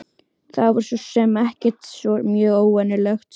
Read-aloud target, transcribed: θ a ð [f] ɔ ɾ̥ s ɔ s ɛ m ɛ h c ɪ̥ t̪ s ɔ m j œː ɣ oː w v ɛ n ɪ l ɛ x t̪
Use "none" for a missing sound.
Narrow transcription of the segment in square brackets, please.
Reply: v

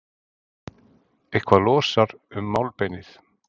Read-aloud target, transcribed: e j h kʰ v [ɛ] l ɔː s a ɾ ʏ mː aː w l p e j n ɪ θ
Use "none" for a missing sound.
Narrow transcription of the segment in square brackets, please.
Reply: a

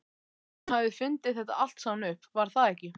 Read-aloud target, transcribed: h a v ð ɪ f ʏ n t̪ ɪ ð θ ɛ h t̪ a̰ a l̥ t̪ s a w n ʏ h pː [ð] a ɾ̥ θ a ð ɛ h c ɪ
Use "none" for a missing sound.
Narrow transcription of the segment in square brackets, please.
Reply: v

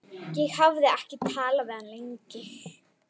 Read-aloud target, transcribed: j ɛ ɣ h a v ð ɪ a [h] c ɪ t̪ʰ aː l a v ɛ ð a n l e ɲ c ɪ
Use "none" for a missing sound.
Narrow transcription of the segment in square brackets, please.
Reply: h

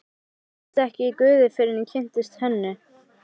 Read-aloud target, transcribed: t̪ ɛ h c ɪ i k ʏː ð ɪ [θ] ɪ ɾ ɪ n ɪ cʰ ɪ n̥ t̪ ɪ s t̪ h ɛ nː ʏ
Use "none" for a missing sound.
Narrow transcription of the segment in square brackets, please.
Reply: f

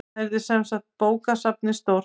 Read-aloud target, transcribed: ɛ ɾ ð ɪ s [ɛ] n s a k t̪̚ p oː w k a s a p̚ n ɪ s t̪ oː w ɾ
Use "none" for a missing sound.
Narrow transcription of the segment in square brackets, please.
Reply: ɛ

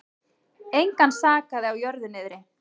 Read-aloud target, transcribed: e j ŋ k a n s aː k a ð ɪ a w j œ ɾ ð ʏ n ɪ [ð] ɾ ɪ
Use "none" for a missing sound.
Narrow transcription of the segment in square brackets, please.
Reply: ð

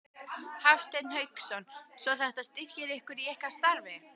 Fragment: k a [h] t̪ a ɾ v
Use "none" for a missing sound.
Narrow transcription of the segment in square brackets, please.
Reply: s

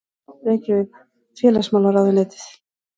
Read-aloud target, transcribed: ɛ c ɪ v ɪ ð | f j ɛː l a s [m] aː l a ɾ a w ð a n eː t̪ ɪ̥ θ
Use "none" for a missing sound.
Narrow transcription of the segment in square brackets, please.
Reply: m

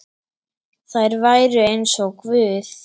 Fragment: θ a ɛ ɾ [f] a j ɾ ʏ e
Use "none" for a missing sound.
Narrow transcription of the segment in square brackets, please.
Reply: v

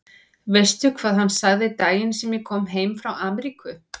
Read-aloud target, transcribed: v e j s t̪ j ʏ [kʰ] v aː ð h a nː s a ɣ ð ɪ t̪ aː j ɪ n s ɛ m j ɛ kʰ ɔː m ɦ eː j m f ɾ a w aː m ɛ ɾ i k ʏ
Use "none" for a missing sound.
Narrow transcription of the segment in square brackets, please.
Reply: kʰ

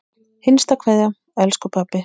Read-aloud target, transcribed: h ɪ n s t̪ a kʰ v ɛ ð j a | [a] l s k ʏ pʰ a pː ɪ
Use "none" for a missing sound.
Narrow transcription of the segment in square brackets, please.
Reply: ɛ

